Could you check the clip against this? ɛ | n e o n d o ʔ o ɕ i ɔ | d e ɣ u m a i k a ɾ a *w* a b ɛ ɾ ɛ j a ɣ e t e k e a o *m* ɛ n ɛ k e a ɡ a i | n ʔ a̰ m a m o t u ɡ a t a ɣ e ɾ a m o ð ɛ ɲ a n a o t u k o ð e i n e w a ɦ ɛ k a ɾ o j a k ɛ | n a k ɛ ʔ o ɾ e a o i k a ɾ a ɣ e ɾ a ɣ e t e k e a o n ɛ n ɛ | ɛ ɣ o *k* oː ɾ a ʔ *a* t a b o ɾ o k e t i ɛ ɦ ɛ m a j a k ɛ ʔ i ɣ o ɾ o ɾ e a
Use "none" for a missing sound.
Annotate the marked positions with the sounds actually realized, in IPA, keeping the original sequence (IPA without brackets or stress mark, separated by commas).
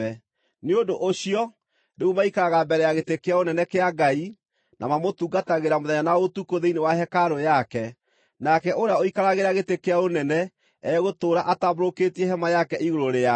ɣ, n, t, a